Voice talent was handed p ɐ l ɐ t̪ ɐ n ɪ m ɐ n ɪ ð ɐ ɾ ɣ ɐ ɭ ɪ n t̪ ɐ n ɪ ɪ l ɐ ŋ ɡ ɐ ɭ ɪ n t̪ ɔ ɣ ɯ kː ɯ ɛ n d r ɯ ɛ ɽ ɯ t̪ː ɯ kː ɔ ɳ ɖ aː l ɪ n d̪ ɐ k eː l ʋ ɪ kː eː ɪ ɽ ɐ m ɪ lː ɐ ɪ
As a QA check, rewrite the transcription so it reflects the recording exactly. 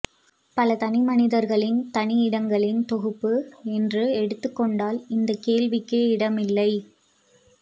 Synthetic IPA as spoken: p ɐ l ɐ t̪ ɐ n ɪ m ɐ n ɪ ð ɐ ɾ ɣ ɐ ɭ ɪ n t̪ ɐ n ɪ ɪ ɽ ɐ ŋ ɡ ɐ ɭ ɪ n t̪ ɔ ɣ ɯ pː ɯ ɛ n d r ɯ ɛ ɽ ɯ t̪ː ɯ kː ɔ ɳ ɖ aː l ɪ n d̪ ɐ k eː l ʋ ɪ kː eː ɪ ɽ ɐ m ɪ lː ɐ ɪ